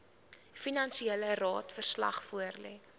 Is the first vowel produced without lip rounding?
yes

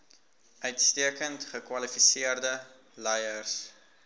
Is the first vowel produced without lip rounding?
no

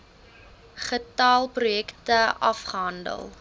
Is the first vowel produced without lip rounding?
yes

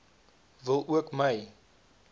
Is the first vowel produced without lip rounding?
yes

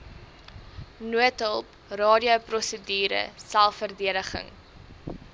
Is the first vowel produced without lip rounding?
no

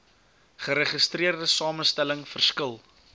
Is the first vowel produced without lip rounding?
yes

